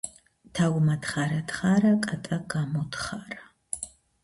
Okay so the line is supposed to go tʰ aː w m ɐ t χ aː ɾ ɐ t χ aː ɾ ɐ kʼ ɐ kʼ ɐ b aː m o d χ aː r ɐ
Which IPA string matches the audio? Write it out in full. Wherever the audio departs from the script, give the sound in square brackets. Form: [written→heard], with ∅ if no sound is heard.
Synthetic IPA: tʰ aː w m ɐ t χ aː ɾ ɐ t χ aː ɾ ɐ kʼ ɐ [kʼ→tʼ] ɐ [b→ɡ] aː m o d χ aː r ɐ